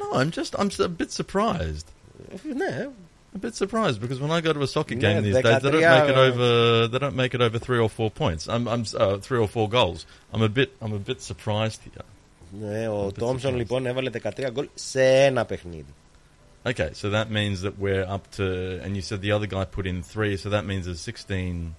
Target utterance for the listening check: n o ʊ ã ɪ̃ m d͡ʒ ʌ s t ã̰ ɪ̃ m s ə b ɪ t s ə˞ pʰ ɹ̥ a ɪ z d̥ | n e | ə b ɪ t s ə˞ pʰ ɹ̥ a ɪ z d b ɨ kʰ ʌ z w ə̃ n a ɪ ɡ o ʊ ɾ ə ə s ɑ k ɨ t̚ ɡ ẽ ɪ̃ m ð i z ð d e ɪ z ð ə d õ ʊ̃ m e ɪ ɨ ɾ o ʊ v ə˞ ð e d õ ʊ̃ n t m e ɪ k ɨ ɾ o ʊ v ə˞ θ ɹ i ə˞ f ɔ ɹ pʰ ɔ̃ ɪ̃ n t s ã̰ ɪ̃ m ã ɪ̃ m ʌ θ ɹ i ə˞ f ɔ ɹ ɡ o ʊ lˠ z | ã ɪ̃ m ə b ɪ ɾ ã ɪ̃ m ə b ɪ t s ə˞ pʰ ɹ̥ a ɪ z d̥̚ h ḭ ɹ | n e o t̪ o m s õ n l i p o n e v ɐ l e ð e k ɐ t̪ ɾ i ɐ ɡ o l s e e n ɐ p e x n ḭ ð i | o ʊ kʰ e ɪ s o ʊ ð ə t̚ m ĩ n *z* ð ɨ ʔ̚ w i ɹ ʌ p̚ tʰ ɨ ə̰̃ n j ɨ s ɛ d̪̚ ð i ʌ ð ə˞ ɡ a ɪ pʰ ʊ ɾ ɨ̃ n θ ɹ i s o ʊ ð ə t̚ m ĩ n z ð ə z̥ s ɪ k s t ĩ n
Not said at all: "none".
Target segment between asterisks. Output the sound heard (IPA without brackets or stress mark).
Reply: z